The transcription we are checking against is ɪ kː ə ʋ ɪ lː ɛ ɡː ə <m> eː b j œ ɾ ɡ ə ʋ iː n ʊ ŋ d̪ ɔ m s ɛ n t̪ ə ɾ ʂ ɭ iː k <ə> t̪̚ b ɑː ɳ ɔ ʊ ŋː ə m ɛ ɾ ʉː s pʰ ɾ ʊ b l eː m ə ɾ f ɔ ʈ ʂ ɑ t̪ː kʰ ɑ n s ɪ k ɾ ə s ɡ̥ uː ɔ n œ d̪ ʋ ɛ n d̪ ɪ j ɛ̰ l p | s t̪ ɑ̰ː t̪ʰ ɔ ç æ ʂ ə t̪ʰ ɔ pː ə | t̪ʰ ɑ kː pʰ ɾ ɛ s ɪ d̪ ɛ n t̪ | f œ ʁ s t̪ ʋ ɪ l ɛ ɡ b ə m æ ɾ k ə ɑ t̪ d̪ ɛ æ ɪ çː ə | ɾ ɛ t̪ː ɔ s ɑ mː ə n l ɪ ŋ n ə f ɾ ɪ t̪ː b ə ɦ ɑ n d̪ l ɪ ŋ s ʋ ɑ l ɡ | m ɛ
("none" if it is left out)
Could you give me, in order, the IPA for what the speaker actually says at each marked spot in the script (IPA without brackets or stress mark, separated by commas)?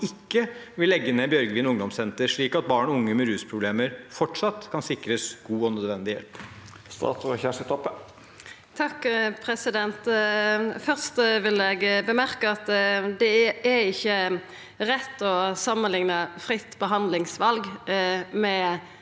n, ɑ